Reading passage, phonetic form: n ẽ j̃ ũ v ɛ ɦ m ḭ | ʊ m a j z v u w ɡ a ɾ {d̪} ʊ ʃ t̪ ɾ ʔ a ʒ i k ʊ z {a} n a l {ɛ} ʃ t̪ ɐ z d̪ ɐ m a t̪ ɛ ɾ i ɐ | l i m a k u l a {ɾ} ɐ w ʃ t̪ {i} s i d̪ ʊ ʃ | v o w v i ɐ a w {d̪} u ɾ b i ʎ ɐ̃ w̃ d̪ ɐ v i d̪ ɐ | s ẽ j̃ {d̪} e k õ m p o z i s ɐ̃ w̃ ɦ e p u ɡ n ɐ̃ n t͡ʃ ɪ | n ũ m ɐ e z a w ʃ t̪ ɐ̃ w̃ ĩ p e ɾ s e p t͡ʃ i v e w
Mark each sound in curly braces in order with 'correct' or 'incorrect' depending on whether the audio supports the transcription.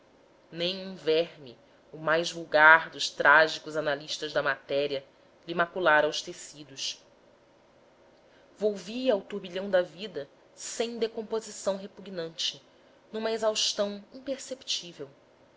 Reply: correct, correct, incorrect: i, correct, incorrect: e, incorrect: t̪, correct

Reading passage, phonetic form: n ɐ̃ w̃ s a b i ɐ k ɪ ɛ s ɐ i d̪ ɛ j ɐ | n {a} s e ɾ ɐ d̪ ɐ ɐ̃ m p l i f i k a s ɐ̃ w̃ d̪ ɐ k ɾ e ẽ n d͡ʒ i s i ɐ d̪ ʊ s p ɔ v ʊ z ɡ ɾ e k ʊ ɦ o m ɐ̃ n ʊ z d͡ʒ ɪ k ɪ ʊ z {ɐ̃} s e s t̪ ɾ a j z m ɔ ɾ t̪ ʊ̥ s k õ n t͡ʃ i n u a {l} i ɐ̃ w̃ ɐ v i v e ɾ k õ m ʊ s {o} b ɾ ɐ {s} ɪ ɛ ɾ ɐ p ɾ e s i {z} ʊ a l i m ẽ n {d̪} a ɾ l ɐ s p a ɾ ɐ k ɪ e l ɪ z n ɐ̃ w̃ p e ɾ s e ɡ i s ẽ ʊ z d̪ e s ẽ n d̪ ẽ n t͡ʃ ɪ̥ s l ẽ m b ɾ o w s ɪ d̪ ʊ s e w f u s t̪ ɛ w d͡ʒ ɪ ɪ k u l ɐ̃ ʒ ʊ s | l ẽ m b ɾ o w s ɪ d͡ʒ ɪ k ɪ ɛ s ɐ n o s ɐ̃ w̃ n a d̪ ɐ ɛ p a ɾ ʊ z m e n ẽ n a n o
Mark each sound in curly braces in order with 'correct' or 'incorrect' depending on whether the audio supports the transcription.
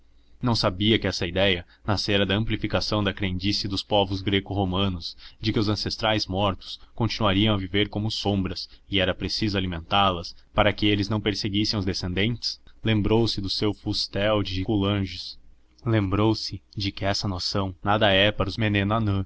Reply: correct, correct, incorrect: ɾ, incorrect: õ, correct, correct, incorrect: t̪

